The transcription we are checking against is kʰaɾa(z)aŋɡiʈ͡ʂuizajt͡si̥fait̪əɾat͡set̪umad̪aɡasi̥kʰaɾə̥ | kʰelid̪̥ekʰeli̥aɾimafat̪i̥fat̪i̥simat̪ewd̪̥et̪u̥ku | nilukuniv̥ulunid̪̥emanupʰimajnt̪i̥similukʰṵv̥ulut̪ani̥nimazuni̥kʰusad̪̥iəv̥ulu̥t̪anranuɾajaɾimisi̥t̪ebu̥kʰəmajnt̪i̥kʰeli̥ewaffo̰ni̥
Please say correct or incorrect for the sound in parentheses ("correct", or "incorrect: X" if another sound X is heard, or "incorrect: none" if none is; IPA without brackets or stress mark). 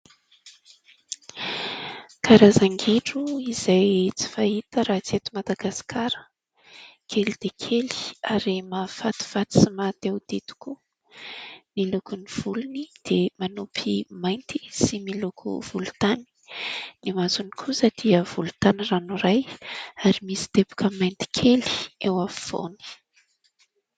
correct